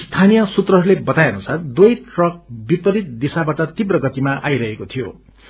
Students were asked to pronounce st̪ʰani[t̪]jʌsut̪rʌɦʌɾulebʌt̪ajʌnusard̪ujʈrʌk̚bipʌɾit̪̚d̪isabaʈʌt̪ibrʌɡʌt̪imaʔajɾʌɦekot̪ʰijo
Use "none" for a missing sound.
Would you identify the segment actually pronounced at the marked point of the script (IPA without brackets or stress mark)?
none